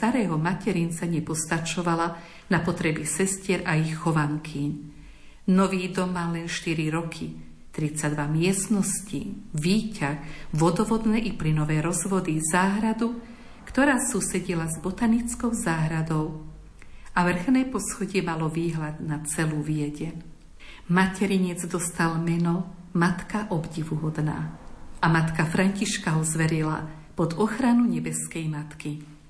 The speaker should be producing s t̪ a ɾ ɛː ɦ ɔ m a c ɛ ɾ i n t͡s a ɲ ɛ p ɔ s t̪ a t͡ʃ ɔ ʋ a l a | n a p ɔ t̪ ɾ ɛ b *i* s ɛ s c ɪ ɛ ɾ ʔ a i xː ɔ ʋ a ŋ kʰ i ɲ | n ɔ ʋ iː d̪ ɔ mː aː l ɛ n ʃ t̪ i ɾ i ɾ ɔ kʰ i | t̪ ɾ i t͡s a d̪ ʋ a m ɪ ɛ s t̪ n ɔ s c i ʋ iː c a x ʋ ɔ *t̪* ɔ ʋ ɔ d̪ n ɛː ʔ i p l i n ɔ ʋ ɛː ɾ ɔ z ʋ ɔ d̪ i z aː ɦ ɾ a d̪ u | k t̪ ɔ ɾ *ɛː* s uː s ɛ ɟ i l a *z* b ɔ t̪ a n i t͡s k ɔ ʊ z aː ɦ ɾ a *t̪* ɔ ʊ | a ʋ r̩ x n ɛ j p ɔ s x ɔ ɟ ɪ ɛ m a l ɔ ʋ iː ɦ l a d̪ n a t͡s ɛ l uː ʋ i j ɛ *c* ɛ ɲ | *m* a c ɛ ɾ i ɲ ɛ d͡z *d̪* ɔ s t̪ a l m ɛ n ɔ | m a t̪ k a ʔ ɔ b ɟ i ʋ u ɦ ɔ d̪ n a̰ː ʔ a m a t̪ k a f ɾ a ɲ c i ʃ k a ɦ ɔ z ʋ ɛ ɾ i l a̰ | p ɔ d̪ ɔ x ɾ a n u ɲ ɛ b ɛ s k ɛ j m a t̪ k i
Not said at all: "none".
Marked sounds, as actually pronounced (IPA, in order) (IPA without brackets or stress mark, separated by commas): i, d̪, aː, z, d̪, ɟ, m, d̪